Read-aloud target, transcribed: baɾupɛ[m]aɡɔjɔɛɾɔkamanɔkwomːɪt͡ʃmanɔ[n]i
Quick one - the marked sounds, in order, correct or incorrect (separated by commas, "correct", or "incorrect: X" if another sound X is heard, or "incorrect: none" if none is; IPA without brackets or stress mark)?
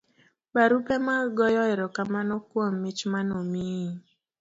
correct, incorrect: m